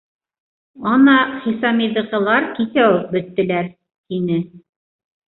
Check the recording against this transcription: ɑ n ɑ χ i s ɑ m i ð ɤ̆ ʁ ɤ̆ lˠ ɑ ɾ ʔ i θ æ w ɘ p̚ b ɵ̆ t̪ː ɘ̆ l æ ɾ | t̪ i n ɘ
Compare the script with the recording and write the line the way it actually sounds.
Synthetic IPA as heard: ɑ n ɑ χ i s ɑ m i ð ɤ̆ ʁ ɤ̆ lˠ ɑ ɾ k i θ æ w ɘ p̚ b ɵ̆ t̪ː ɘ̆ l æ ɾ | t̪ i n ɘ